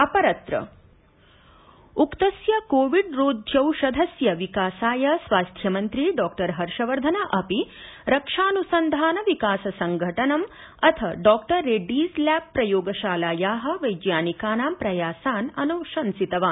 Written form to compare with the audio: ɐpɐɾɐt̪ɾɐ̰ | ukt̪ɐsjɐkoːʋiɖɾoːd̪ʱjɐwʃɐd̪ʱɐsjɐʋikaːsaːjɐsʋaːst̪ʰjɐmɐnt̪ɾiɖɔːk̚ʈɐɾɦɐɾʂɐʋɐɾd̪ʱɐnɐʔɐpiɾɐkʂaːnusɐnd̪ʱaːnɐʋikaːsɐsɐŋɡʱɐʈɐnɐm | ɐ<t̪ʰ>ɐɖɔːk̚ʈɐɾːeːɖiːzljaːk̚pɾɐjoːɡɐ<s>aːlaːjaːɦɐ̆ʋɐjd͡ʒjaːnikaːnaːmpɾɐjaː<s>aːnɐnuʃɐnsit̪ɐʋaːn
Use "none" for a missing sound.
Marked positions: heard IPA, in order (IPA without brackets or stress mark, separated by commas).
t̪ʰ, ʃ, s